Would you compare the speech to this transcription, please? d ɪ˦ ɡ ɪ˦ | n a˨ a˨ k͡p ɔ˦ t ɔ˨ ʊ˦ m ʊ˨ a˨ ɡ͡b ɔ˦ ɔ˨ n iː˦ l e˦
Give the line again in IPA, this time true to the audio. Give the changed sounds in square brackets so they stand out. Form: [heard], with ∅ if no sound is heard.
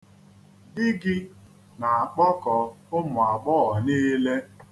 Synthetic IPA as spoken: d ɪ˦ ɡ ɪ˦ | n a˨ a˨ k͡p ɔ˦ [k] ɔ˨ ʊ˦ m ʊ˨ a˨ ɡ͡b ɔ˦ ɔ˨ n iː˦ l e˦